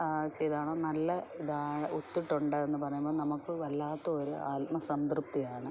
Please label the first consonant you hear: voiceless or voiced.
voiceless